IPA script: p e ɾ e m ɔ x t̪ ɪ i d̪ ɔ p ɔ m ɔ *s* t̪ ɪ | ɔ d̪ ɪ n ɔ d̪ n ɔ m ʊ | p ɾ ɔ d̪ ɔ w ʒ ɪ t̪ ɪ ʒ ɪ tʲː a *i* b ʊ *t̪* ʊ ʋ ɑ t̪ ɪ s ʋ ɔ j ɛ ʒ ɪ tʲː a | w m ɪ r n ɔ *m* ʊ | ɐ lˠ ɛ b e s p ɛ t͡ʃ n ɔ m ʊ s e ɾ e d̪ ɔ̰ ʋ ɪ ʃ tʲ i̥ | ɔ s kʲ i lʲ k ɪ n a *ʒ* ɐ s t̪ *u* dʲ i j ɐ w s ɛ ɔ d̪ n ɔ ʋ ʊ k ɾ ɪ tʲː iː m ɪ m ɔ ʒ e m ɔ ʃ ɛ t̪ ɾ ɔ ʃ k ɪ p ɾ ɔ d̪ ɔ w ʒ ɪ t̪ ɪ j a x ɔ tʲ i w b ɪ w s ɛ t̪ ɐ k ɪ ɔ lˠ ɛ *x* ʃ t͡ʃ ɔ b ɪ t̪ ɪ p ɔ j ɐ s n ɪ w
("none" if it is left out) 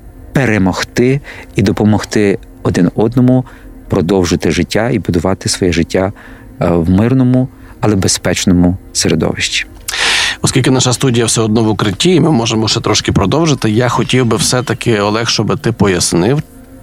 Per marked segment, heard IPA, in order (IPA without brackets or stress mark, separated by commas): x, i, d̪, m, ʃ, u, x